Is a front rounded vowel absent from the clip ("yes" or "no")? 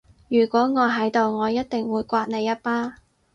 no